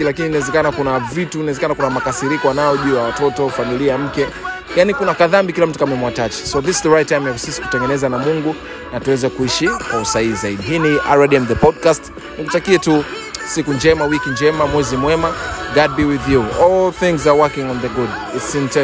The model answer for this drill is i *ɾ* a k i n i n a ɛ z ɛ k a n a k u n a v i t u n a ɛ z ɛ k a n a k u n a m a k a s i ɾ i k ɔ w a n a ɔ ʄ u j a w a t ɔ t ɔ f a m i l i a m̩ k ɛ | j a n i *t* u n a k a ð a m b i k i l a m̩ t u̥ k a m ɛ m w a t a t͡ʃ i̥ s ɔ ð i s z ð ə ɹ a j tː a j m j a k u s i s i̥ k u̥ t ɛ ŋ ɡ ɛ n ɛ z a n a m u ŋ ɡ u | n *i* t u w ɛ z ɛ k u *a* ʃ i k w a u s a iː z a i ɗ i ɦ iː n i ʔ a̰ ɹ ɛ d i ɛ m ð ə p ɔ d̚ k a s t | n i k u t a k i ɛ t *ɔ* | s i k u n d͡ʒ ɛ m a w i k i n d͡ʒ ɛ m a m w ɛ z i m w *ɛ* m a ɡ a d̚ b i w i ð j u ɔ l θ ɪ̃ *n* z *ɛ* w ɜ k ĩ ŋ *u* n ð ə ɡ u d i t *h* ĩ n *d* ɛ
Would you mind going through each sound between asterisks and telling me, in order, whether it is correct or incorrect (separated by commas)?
incorrect, incorrect, incorrect, incorrect, incorrect, correct, incorrect, incorrect, incorrect, incorrect, incorrect